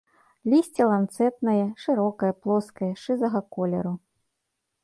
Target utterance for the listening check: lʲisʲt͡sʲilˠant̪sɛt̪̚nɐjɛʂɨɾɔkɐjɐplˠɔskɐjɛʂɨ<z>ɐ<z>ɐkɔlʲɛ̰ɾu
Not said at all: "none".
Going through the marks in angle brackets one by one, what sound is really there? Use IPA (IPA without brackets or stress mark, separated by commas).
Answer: z, ɣ